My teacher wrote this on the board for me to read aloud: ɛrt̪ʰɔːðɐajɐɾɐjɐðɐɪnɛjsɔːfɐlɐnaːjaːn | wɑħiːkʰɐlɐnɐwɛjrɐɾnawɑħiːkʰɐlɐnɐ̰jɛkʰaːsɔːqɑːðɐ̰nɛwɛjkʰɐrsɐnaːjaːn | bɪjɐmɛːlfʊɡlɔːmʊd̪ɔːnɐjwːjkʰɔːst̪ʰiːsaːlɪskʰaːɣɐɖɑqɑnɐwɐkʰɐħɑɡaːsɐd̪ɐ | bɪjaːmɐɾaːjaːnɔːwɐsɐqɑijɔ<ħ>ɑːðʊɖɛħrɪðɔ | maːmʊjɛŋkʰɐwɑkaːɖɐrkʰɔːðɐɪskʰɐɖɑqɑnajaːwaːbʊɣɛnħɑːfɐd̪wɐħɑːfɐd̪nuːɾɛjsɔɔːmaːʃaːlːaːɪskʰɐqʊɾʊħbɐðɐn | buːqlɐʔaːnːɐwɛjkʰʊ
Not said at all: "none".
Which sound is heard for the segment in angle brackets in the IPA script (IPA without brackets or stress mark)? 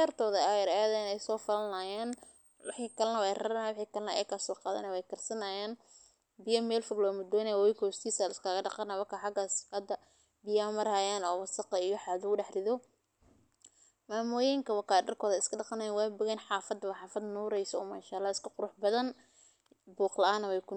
ħ